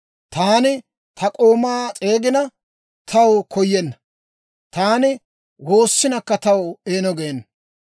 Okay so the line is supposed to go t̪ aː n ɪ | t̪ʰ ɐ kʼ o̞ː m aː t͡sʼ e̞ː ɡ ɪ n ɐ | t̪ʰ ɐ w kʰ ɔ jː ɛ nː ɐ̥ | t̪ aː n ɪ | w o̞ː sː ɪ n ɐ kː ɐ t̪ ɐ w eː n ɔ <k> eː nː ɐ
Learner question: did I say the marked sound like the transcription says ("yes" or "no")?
no